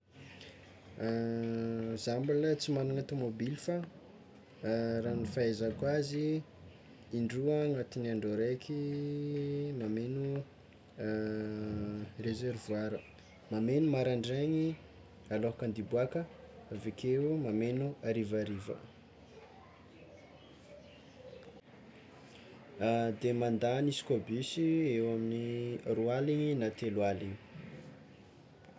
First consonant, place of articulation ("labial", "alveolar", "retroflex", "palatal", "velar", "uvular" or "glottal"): alveolar